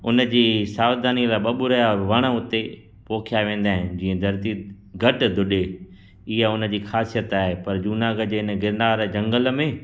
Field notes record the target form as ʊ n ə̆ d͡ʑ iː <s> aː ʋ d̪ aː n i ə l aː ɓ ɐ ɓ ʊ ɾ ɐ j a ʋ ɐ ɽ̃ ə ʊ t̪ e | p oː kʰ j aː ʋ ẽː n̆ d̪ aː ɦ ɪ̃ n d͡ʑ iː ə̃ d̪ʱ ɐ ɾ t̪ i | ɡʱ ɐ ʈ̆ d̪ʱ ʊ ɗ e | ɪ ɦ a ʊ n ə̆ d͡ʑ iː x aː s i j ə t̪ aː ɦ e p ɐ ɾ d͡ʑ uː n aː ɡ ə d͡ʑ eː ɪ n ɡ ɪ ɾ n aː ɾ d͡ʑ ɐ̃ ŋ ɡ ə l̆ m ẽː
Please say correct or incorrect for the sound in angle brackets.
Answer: correct